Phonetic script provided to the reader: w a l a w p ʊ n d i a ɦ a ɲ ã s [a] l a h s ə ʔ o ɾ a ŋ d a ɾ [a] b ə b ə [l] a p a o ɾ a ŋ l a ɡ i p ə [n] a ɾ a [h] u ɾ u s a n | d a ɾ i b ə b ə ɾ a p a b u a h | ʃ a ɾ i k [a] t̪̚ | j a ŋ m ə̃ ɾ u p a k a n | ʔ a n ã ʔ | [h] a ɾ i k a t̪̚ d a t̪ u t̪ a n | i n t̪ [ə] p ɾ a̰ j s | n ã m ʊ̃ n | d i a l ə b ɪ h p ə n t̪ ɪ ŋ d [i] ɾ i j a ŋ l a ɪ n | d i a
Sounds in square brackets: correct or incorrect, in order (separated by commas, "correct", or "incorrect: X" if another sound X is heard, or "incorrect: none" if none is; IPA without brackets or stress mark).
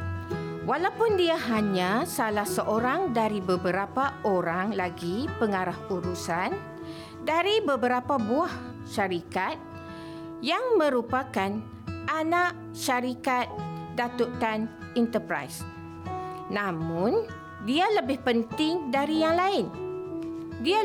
correct, incorrect: i, incorrect: ɾ, incorrect: ŋ, correct, correct, incorrect: ʃ, correct, incorrect: a